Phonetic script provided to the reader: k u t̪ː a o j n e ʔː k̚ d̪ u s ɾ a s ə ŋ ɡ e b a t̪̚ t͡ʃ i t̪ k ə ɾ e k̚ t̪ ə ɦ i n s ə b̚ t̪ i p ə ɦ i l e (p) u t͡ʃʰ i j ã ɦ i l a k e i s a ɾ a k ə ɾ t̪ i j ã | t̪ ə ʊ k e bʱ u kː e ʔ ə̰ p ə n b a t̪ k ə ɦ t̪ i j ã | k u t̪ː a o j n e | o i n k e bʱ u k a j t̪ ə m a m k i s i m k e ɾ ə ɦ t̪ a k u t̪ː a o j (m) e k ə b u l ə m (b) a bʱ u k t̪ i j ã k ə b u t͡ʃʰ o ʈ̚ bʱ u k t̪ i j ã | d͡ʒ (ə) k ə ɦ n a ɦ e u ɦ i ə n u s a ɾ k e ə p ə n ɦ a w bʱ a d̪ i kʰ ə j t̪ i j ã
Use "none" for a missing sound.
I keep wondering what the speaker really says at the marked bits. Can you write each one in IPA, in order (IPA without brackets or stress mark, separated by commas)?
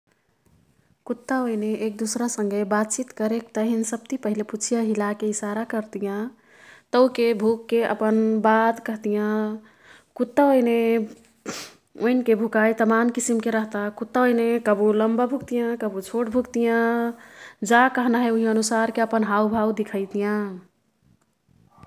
p, n, b, a